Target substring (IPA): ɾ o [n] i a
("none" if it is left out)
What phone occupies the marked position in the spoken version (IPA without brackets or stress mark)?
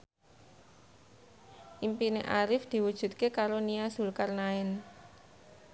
n